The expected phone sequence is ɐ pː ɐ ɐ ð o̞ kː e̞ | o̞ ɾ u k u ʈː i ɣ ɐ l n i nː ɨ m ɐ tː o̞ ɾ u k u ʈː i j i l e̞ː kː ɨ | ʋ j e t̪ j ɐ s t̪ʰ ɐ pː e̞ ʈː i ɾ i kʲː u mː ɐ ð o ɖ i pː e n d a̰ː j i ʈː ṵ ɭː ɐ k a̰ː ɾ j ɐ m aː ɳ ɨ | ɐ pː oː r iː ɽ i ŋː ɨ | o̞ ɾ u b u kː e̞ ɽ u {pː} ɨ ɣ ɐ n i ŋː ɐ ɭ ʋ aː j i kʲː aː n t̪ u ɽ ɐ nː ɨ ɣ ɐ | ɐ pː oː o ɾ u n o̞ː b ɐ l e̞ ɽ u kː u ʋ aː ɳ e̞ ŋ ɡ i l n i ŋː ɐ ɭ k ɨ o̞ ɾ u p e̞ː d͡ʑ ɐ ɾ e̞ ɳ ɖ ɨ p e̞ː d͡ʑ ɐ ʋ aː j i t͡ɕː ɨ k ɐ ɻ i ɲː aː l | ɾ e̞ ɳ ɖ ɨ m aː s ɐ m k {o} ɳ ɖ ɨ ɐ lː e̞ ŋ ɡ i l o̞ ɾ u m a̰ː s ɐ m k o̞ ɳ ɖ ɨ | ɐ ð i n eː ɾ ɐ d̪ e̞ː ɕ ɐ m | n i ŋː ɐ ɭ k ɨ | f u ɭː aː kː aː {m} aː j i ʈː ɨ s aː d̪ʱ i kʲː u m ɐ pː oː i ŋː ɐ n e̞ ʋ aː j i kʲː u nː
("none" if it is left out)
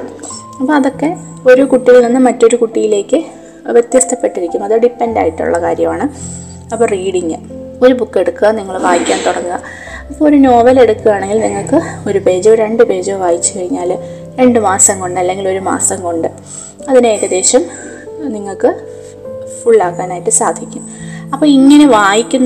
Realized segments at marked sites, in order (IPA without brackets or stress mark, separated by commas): kː, o, n